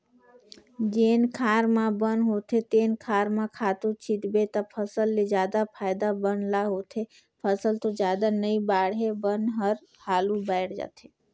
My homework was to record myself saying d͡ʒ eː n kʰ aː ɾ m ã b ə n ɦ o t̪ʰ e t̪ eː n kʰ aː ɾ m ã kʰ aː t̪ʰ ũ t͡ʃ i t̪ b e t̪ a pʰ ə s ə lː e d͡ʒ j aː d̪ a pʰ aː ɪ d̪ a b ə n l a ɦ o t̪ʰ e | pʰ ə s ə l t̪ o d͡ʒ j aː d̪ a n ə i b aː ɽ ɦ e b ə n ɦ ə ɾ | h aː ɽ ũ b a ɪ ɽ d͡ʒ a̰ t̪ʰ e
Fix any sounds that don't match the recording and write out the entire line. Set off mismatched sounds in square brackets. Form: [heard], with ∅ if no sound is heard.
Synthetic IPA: d͡ʒ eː n kʰ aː ɾ m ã b ə n ɦ o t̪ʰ e t̪ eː n kʰ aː ɾ m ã kʰ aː [t̪] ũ t͡ʃ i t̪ b e t̪ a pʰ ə s ə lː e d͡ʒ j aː d̪ a pʰ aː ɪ d̪ a b ə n l a ɦ o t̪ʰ e | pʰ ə s ə l t̪ o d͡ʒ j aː d̪ a n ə i b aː ɽ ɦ e b ə n ɦ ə ɾ | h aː [l] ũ b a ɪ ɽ d͡ʒ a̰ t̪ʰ e